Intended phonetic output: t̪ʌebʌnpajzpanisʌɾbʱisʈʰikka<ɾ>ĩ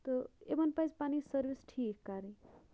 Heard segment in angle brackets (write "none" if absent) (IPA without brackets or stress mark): ɾ